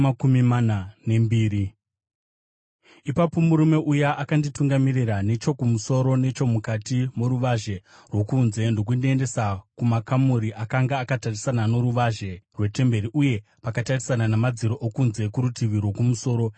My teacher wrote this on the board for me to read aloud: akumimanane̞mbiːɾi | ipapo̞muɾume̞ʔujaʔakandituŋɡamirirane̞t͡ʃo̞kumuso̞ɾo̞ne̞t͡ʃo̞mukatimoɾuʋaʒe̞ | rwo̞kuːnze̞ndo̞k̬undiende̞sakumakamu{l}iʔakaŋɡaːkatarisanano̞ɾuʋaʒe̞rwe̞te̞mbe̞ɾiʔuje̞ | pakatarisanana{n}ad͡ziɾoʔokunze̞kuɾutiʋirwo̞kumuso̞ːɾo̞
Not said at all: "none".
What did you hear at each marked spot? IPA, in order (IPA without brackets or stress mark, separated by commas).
ɾ, m